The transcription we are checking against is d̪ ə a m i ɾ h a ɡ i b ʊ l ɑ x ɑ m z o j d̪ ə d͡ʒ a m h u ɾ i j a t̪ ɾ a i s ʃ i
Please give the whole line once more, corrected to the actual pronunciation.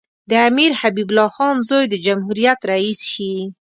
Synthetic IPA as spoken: d̪ ə a m i ɾ h a b i b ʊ l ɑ x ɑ n z o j d̪ ə d͡ʒ a m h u ɾ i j a t̪ ɾ a i s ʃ i